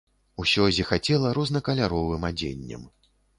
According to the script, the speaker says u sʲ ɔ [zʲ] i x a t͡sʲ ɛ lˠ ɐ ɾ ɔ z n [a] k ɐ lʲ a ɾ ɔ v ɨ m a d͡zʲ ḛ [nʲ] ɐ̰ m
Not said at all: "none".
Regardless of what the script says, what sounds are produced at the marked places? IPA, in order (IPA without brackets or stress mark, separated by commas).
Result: zʲ, ɐ, nʲː